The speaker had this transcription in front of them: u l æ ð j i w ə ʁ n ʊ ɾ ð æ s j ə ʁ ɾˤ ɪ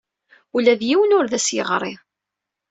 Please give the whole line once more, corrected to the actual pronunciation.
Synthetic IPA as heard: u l æ ð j i w ə n ʊ ɾ ð æ s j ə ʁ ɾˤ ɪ